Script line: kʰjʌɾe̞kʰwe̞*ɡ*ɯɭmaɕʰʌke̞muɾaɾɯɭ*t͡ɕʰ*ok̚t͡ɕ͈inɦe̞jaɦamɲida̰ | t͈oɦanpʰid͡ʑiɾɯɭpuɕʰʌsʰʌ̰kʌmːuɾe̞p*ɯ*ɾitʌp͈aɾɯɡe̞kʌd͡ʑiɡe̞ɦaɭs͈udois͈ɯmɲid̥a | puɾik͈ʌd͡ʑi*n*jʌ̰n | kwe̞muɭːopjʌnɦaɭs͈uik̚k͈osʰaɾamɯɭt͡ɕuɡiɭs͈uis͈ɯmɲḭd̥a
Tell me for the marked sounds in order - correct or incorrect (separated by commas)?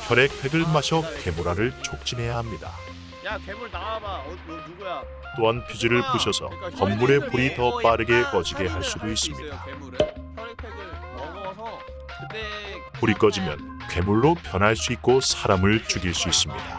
correct, correct, incorrect, incorrect